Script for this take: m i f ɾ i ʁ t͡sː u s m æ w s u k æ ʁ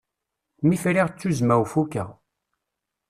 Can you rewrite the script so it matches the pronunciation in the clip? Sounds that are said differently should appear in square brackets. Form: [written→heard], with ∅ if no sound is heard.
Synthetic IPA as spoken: m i f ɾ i ʁ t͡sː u [s→z] m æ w [s→f] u k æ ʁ